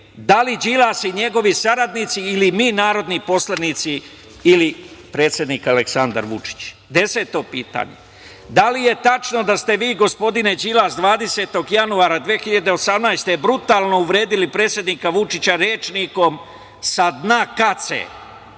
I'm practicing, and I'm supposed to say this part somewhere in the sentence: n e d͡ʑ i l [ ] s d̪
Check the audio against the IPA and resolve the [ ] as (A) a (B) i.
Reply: A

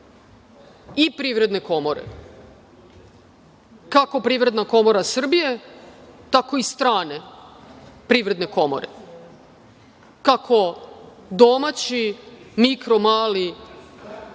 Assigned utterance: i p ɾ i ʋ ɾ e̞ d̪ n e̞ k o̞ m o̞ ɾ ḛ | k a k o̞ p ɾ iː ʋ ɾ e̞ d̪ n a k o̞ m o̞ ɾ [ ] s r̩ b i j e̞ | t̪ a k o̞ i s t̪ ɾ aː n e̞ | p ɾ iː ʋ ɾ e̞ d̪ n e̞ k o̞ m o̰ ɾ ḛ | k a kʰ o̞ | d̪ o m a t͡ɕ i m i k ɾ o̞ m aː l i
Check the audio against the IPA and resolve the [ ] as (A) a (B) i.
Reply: A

